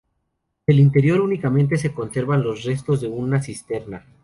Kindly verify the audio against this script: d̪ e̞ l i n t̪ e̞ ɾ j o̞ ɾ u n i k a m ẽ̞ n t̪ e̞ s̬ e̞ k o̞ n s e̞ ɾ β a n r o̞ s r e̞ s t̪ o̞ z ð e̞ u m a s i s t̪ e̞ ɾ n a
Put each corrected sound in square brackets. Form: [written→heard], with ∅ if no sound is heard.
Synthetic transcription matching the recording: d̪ e̞ l i n t̪ e̞ ɾ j o̞ ɾ u n i k a m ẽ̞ n t̪ e̞ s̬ e̞ k o̞ n s e̞ ɾ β a n [r→l] o̞ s r e̞ s t̪ o̞ z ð e̞ u [m→n] a s i s t̪ e̞ ɾ n a